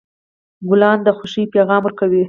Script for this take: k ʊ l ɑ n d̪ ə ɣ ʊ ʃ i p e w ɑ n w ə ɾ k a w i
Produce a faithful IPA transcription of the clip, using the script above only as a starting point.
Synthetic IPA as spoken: ɡ ʊ l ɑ n d̪ ə x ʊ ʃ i p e ɣ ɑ m w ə ɾ k a w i